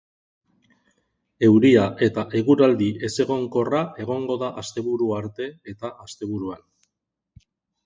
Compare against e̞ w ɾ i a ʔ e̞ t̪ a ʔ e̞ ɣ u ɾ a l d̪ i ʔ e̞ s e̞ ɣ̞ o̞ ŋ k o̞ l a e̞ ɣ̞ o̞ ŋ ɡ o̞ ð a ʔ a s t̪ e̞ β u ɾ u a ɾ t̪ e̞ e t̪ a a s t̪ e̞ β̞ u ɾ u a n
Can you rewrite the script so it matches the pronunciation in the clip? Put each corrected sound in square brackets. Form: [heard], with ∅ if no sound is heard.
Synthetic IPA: e̞ w ɾ i a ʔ e̞ t̪ a ʔ e̞ ɣ u ɾ a l d̪ i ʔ e̞ s e̞ ɣ̞ o̞ ŋ k o̞ [r] a e̞ ɣ̞ o̞ ŋ ɡ o̞ ð a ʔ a s t̪ e̞ β u ɾ u a ɾ t̪ e̞ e t̪ a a s t̪ e̞ β̞ u ɾ u a n